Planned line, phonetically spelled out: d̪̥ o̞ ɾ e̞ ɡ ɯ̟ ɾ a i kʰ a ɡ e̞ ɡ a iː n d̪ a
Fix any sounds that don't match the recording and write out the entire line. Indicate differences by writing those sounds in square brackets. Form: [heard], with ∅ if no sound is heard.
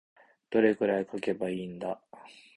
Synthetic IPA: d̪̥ o̞ ɾ e̞ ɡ ɯ̟ ɾ a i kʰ a [k] e̞ [b] a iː n d̪ a